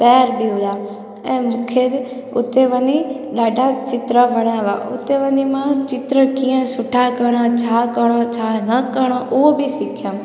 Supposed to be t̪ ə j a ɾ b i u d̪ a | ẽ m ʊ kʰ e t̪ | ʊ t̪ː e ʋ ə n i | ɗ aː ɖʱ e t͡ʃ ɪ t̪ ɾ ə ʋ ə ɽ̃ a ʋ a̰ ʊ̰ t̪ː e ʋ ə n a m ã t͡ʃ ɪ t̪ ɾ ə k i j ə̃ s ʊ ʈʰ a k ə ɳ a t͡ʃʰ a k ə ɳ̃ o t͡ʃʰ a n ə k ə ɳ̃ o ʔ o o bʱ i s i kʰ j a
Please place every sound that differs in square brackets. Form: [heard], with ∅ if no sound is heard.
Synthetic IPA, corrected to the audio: t̪ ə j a ɾ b i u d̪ a | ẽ m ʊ kʰ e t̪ | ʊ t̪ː e ʋ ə n i | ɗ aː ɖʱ [a] t͡ʃ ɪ t̪ ɾ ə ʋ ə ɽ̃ a ʋ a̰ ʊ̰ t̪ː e ʋ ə n [i] m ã t͡ʃ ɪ t̪ ɾ ə k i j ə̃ s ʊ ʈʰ a k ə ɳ a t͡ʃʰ a k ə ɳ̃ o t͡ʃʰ a n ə k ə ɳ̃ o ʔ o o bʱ i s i kʰ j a